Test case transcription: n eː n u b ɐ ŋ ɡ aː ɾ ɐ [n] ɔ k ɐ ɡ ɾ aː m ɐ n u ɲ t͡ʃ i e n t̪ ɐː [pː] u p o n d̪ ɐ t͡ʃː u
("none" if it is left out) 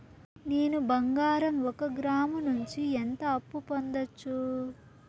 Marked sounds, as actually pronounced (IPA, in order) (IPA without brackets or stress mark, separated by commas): m, pː